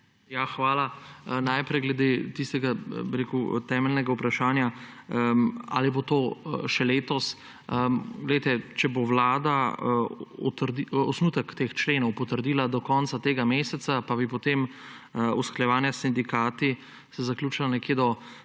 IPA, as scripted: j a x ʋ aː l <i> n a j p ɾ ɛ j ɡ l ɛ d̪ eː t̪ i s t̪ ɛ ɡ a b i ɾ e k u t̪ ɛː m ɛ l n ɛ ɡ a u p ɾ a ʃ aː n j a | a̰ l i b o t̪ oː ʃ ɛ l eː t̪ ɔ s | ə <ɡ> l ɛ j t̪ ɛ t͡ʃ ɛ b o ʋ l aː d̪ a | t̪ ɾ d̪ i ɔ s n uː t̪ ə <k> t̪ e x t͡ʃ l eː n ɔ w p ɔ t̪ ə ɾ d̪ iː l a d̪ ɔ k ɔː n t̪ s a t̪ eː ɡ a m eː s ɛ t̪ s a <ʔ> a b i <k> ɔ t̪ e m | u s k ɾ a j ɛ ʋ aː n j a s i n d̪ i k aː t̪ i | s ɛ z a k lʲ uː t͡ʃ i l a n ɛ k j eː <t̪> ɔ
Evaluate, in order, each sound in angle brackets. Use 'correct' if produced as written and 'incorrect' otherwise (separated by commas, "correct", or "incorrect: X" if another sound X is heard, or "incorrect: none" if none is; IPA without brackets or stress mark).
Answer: incorrect: a, correct, correct, incorrect: p, incorrect: p, incorrect: d̪